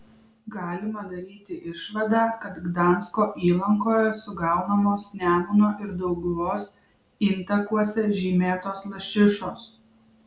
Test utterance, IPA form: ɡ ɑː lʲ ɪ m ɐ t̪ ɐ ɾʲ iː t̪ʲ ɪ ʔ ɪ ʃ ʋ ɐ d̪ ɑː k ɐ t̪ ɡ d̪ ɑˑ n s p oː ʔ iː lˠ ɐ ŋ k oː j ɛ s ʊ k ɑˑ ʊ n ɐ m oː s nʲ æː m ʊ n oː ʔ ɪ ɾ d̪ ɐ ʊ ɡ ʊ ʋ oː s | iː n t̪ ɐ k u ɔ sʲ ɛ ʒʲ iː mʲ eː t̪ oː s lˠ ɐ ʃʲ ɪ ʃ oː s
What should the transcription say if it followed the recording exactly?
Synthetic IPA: ɡ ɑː lʲ ɪ m ɐ d̪ ɐ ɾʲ iː t̪ʲ ɪ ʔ ɪ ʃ ʋ ɐ d̪ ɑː k ɐ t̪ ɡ d̪ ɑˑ n s k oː ʔ iː lˠ ɐ ŋ k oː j ɛ s ʊ ɡ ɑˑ ʊ n ɐ m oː s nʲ æː m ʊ n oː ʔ ɪ ɾ d̪ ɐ ʊ ɡ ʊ ʋ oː s | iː n t̪ ɐ k u ɔ sʲ ɛ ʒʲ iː mʲ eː t̪ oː s lˠ ɐ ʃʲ ɪ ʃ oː s